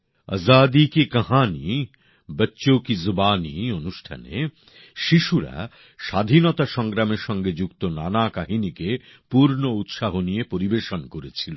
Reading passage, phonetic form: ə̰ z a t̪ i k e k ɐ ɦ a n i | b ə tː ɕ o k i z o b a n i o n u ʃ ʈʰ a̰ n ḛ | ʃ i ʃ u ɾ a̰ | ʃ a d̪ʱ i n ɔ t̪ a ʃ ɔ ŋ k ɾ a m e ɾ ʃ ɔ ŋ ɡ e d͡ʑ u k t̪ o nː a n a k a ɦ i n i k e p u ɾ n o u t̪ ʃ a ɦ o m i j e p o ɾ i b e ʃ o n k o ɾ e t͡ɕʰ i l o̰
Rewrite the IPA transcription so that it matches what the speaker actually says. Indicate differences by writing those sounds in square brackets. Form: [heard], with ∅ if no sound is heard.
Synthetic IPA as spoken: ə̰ z a [d̪] i k e k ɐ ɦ a n i | b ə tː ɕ o k i z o b a n i o n u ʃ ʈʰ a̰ n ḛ | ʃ i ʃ u ɾ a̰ | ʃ a d̪ʱ i n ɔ t̪ a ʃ ɔ ŋ [ɡ] ɾ a m e ɾ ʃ ɔ ŋ ɡ e d͡ʑ u k t̪ o [n] a n a k a ɦ i n i k e p u ɾ n o u t̪ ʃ a ɦ o [n] i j e p o ɾ i b e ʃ o n k o ɾ e t͡ɕʰ i l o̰